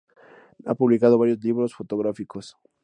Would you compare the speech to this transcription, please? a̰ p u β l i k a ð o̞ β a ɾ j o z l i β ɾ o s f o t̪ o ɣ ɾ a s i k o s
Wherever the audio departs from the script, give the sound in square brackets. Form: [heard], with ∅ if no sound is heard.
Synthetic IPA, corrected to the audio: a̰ p u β l i k a ð o̞ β a ɾ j o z l i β ɾ o s f o t̪ o ɣ ɾ a [f] i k o s